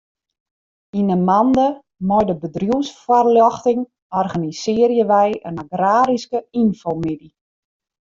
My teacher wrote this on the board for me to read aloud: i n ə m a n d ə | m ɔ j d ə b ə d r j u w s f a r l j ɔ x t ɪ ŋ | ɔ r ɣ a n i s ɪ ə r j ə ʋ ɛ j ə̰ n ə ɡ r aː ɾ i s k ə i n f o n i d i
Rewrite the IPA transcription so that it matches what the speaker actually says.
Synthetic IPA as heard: i n ə m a n d ə | m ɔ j d ə b ə d r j u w s f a r l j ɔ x t ɪ ŋ | ɔ r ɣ a n i s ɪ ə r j ə ʋ ɛ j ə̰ n a ɡ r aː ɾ i s k ə i n f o m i d i